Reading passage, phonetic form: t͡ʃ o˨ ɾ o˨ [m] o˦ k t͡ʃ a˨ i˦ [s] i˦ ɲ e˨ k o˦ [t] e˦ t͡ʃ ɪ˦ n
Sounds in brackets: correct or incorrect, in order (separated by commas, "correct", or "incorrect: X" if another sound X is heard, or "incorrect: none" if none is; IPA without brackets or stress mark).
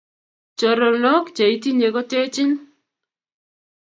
incorrect: n, incorrect: t, correct